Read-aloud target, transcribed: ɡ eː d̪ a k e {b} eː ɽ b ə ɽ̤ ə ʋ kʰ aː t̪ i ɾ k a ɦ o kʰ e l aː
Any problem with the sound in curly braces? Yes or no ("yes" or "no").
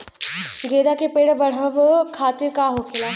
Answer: yes